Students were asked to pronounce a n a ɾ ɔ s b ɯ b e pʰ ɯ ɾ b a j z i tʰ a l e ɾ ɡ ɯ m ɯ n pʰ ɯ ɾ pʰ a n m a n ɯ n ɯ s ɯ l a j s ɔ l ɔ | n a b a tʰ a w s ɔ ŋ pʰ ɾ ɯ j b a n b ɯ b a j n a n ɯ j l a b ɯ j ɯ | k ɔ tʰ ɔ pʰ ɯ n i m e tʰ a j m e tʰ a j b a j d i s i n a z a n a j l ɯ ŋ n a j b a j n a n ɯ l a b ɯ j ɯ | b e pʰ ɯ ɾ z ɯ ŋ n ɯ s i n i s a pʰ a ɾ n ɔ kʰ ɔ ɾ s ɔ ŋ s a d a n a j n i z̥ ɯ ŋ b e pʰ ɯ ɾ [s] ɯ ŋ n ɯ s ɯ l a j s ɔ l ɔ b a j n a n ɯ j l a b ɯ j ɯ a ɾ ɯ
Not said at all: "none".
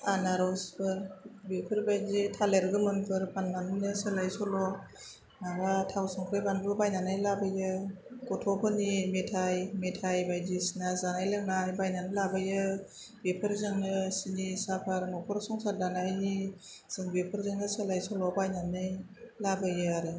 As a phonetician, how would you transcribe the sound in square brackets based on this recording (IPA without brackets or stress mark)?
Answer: z